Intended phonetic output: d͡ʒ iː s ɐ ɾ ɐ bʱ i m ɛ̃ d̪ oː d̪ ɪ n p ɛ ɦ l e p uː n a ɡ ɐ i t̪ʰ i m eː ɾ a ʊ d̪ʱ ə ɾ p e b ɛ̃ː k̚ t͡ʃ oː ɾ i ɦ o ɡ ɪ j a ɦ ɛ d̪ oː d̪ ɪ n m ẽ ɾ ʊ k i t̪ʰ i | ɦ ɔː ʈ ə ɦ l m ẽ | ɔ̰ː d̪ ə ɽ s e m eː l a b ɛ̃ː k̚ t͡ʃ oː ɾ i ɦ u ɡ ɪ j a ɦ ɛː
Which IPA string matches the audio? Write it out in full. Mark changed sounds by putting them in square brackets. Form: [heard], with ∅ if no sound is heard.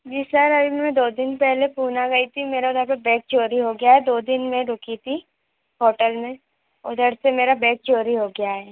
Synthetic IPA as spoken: d͡ʒ iː s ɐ ɾ ɐ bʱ i m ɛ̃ d̪ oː d̪ ɪ n p ɛ ɦ l e p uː n a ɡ ɐ i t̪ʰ i m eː ɾ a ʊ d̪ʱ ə ɾ p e b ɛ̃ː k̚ t͡ʃ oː ɾ i ɦ o ɡ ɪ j a ɦ ɛ d̪ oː d̪ ɪ n m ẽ ɾ ʊ k i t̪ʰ i | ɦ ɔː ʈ ə [∅] l m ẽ | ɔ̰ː d̪ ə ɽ s e m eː [ɾ] a b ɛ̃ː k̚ t͡ʃ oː ɾ i ɦ [o] ɡ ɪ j a ɦ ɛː